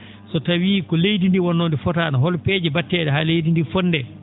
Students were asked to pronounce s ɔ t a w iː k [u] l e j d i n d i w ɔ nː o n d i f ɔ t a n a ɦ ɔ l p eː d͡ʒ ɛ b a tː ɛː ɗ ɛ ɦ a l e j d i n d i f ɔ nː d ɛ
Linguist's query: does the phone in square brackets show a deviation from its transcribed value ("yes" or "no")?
yes